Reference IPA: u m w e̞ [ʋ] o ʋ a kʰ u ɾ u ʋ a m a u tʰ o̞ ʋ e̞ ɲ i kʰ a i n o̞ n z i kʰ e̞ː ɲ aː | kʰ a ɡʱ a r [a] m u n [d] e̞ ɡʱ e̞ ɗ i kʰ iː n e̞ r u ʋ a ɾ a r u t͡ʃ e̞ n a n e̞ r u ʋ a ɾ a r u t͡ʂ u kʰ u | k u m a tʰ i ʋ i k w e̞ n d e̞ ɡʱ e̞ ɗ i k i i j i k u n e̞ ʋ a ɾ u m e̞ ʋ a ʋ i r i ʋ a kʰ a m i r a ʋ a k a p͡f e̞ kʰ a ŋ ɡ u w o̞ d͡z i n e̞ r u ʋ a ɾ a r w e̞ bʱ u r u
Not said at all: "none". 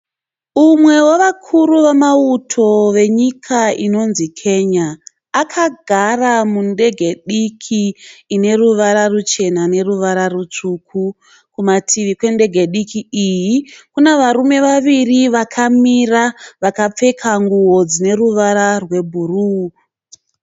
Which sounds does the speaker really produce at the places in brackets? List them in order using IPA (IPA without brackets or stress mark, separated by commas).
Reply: w, a, d